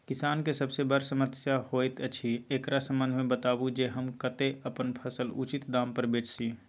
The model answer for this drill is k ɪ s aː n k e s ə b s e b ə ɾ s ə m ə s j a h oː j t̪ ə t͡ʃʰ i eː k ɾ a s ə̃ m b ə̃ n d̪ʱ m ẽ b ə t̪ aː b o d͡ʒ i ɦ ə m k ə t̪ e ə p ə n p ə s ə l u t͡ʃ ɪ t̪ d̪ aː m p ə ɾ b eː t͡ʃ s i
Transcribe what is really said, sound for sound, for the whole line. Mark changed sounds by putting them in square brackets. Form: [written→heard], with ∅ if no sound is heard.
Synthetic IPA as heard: k ɪ s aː n k e s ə b s e b ə ɾ s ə m ə s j a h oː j t̪ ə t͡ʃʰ i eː k ɾ a s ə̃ m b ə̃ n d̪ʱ m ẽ b ə t̪ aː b [o→u] d͡ʒ [i→e] ɦ ə m k ə t̪ e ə p ə n [p→pʰ] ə s ə l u t͡ʃ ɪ t̪ d̪ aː m p ə ɾ b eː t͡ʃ s i